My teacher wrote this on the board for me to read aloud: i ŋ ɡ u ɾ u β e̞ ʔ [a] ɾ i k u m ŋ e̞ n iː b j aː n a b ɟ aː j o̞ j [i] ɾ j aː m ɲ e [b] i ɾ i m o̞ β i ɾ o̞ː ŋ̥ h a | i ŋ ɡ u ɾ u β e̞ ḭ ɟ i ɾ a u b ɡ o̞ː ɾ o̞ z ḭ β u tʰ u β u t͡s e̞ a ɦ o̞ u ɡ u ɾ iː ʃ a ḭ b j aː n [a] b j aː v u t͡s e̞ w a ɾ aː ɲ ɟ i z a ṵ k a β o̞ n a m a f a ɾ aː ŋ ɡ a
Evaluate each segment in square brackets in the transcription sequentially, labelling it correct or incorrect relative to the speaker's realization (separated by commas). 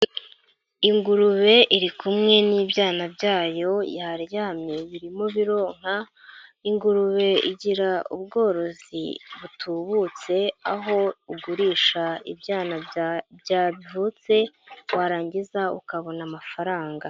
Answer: incorrect, incorrect, incorrect, correct